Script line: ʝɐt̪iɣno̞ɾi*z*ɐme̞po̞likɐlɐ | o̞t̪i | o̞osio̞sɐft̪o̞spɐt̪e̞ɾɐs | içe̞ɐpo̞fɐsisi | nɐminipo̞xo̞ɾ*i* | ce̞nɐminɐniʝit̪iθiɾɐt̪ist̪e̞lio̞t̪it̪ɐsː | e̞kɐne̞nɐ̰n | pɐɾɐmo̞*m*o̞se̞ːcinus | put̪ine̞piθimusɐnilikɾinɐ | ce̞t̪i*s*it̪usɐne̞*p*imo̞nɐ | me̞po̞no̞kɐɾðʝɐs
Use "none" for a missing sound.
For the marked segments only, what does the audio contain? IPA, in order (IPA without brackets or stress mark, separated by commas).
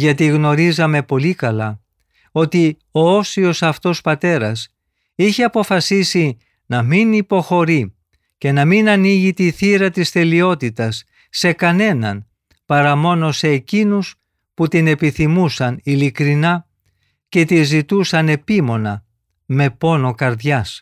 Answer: z, i, n, z, p